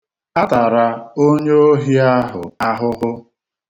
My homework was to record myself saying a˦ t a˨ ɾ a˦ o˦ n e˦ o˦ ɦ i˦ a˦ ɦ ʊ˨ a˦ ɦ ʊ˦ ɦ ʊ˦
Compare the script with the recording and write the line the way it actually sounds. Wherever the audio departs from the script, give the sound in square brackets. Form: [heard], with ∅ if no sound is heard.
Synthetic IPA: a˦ t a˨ ɾ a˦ o˦ [ɲ] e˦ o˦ ɦ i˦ a˦ ɦ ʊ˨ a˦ ɦ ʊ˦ ɦ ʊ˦